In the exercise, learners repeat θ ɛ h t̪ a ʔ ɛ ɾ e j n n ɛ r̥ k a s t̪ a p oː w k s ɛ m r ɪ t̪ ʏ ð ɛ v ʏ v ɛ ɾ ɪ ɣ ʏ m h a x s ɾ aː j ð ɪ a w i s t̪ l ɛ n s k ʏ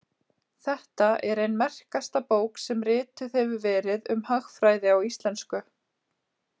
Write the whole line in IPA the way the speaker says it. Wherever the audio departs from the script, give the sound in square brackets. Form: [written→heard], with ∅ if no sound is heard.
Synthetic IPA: θ ɛ h t̪ a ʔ ɛ ɾ e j n [n→m] ɛ r̥ k a s t̪ a p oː w k s ɛ m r [ɪ→ɪː] t̪ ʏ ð ɛ v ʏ v [ɛ→ɛː] ɾ ɪ [ɣ→ð] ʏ m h a x [s→f] ɾ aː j ð ɪ a w i s t̪ l ɛ n s k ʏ